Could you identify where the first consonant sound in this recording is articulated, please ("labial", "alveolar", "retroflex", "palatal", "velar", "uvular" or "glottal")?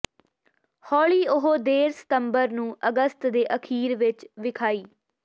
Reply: glottal